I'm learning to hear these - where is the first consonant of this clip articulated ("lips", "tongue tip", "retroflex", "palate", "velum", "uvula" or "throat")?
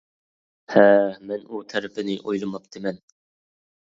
throat